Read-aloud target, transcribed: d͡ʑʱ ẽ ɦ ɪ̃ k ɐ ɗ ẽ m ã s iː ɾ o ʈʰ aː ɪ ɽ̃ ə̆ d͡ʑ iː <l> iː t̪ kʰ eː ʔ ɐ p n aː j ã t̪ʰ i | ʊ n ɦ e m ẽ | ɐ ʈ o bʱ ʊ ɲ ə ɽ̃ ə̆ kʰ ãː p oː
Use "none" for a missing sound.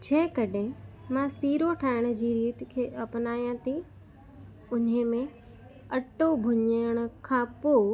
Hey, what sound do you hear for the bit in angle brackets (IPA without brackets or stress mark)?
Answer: ɾ